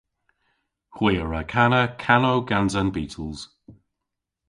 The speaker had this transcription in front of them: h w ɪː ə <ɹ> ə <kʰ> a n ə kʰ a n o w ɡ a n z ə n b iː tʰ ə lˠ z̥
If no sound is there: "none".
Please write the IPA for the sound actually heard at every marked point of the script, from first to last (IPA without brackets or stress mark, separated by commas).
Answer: ɹ, kʰ